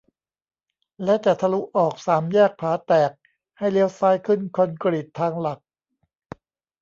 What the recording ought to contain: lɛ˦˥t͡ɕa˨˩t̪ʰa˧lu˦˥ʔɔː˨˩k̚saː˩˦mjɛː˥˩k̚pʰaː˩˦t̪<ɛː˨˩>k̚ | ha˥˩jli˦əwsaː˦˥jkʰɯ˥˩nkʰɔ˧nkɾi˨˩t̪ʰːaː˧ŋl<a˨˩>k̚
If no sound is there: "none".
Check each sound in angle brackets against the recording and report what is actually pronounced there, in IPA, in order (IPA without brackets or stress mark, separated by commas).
ɛː˨˩, a˨˩